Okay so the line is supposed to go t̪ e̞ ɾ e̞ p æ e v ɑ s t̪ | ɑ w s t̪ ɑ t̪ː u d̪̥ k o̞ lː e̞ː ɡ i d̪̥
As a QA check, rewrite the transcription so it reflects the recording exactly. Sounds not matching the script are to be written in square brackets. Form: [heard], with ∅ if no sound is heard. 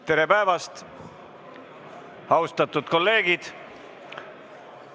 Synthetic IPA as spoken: t̪ e̞ ɾ e̞ p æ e v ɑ s t̪ | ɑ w s t̪ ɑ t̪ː u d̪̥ k o̞ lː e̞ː ɡ i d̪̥